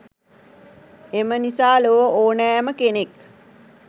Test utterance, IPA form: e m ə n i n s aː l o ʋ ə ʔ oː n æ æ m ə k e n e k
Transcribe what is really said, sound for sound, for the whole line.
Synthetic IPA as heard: e m ə n i s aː l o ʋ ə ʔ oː n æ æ m ə k e n e k